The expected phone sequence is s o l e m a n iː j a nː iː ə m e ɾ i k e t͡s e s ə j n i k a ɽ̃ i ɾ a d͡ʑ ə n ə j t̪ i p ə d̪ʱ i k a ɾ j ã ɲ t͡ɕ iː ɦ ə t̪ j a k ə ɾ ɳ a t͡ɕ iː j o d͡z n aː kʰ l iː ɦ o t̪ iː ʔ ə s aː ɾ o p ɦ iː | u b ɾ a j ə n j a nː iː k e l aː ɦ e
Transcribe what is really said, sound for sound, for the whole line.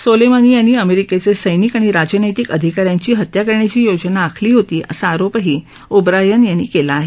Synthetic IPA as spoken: s o l e m a n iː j a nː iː ə m e ɾ i k e t͡s e s ə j n i k a ɽ̃ i ɾ a d͡ʑ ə n ə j t̪ i k ə d̪ʱ i k a ɾ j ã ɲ t͡ɕ iː ɦ ə t̪ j a k ə ɾ ɳ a t͡ɕ iː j o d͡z n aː kʰ l iː ɦ o t̪ iː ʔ ə s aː ɾ o p ɦ iː | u b ɾ a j ə n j a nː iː k e l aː ɦ e